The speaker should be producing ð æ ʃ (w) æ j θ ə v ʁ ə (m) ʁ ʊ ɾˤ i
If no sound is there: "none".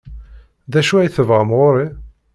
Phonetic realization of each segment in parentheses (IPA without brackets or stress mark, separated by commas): u, m